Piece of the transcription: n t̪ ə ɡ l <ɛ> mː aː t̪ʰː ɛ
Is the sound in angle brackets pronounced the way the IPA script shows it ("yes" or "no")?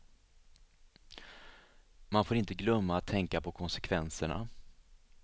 no